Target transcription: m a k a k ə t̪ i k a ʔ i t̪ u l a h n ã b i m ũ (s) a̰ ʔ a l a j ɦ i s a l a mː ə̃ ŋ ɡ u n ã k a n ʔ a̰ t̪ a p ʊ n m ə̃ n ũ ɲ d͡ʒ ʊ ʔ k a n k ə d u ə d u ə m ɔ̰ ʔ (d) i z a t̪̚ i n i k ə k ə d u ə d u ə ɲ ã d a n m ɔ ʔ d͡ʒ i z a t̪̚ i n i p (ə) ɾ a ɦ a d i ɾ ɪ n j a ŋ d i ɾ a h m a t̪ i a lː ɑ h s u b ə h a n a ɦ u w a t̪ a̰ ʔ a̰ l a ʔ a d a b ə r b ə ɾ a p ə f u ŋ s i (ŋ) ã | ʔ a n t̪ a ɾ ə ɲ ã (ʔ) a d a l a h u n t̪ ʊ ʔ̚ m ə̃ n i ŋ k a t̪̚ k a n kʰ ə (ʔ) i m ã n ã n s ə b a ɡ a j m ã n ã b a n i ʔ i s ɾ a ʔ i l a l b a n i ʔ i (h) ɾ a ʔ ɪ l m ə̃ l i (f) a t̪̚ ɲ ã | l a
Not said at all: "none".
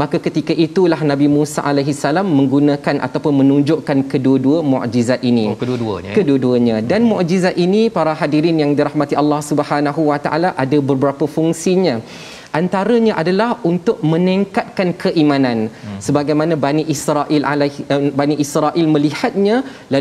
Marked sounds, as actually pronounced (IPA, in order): s, d͡ʒ, a, ɲ, ʔ, ʔ, s, h

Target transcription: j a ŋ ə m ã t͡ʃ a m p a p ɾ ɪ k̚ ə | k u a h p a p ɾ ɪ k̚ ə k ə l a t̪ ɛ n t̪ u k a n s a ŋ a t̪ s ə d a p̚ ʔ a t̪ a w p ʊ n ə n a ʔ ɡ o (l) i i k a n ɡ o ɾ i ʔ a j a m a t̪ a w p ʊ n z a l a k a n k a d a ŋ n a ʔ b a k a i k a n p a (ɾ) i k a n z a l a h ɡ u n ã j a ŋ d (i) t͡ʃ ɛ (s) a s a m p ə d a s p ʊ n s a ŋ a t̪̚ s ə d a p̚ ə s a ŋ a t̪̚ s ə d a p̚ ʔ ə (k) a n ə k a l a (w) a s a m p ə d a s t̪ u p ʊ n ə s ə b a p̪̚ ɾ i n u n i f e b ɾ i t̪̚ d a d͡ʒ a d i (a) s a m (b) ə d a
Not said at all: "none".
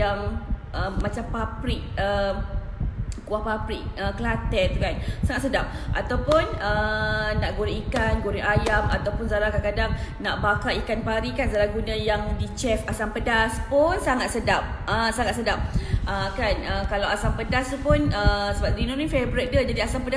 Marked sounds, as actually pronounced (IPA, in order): ɾ, ɾ, i, f, k, w, a, p

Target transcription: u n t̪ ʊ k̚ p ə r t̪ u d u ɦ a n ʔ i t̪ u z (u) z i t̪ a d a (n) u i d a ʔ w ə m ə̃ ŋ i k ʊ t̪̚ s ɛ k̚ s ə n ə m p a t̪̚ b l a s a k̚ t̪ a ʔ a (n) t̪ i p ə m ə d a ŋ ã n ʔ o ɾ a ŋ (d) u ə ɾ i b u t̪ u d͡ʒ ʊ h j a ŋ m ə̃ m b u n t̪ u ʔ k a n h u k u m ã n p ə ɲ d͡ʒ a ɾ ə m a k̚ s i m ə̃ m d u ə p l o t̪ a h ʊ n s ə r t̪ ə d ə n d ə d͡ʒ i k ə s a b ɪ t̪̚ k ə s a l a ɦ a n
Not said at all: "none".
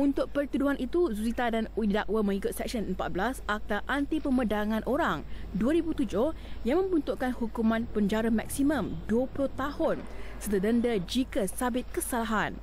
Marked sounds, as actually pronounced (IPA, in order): u, n, n, d

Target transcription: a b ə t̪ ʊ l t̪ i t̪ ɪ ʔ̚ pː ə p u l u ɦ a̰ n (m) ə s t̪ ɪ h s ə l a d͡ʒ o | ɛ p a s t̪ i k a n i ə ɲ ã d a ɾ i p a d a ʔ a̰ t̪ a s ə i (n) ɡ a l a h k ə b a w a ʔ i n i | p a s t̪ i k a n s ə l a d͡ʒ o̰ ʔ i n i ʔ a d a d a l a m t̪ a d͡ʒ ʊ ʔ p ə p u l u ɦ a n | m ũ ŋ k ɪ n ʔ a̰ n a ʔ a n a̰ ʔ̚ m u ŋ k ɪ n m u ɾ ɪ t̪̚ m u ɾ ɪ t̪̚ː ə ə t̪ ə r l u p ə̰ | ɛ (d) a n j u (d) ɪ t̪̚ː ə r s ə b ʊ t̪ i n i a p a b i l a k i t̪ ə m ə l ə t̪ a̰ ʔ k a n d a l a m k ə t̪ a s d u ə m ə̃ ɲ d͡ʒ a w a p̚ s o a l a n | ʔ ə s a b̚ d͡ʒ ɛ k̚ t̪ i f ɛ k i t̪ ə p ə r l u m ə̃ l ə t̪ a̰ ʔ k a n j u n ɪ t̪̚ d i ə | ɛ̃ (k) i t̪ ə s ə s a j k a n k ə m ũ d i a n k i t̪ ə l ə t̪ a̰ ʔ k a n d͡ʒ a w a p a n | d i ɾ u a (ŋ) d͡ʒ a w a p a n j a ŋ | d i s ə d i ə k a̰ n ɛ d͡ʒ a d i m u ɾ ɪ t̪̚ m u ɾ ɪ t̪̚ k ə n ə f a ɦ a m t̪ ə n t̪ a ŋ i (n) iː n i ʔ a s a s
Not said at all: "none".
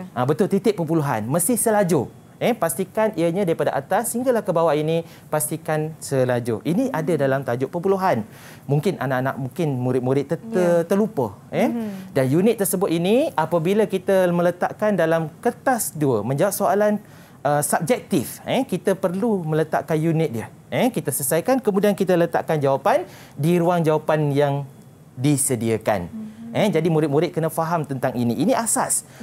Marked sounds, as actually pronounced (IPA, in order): m, ŋ, d, n, k, ŋ, n

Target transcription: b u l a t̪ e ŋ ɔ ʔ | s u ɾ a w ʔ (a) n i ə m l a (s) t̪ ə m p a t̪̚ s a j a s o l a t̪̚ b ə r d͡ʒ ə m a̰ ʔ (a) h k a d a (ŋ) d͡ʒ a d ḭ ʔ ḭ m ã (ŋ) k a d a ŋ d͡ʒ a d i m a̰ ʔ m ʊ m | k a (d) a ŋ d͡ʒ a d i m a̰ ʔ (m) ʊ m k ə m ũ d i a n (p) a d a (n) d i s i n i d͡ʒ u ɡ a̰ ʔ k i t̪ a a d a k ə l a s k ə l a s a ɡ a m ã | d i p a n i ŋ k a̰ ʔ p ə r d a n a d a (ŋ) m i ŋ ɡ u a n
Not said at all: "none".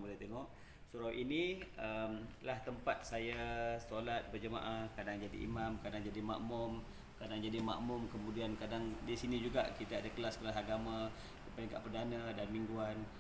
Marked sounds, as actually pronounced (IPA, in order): i, h, a, ŋ, m, d, m, k, ŋ, n

